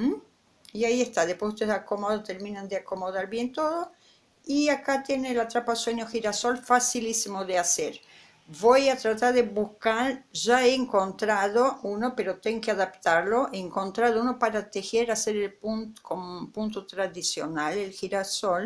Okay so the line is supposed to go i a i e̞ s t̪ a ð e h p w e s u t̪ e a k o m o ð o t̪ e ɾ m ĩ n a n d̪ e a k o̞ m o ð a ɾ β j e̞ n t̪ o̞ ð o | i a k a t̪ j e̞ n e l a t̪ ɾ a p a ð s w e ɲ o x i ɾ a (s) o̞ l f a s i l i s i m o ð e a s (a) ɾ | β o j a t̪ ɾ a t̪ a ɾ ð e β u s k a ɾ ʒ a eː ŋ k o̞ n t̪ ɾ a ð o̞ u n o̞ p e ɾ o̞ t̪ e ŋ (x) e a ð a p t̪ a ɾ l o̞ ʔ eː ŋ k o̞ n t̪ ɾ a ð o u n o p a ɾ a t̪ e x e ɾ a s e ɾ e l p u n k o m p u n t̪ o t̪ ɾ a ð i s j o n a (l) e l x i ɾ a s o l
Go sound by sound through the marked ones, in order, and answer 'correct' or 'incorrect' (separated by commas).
correct, incorrect, incorrect, correct